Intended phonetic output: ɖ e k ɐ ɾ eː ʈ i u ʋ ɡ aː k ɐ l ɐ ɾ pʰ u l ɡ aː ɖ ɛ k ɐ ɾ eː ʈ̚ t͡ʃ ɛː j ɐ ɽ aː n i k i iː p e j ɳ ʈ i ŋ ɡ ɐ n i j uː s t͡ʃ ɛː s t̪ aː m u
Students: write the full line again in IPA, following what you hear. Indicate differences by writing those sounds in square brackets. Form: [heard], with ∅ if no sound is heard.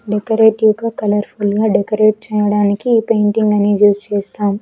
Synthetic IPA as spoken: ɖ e k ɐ ɾ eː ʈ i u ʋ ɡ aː k ɐ l ɐ ɾ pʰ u l ɡ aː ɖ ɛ k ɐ ɾ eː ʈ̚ t͡ʃ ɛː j ɐ ɽ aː n i k i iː p e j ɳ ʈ i ŋ ɡ ɐ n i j uː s t͡ʃ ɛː s t̪ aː m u